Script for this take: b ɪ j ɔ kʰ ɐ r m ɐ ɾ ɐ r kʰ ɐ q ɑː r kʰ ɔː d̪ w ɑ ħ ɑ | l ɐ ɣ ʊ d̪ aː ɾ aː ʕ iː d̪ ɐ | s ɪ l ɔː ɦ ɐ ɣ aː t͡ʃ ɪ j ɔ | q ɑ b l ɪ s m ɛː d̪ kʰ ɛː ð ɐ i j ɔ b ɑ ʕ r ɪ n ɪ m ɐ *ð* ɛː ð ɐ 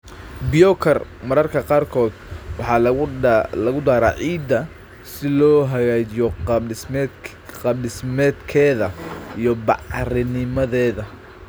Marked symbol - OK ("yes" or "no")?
yes